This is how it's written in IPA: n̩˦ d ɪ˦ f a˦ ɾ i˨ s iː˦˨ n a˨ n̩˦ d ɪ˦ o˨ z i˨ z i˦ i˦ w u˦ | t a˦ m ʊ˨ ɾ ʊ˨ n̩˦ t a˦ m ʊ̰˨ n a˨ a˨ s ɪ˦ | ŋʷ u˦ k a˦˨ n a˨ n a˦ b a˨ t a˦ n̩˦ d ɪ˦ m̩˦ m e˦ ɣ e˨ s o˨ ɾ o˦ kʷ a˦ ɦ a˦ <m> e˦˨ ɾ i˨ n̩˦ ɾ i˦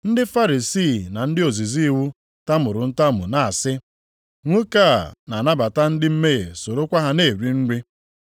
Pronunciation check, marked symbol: incorrect: n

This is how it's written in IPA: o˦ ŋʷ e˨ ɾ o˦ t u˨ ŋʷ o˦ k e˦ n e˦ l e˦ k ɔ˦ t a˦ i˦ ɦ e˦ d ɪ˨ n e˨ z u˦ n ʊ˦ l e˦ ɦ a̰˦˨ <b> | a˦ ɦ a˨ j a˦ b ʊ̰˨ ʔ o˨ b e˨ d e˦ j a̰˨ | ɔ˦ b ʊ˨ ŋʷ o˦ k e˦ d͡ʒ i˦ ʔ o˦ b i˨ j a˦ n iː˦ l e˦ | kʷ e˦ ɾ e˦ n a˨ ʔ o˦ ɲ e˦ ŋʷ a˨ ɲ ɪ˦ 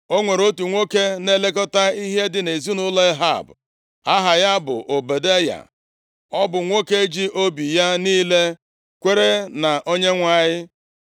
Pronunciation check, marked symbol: correct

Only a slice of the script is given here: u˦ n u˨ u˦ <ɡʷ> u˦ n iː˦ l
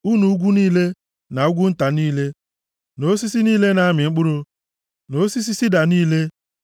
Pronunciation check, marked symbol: correct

